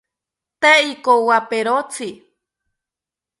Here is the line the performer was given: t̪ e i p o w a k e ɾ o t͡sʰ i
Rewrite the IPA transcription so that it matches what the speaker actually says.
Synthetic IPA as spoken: t̪ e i k o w a p e ɾ o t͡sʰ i